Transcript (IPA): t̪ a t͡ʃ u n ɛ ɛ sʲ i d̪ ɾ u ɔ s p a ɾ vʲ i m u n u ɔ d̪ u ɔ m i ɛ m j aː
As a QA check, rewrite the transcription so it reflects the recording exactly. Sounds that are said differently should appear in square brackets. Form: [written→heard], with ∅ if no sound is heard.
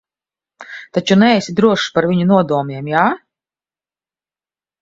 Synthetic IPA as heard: t̪ a t͡ʃ u n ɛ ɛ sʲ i d̪ ɾ u ɔ [s→ʃ] p a ɾ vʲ i [m→ɲ] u n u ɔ d̪ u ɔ m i ɛ m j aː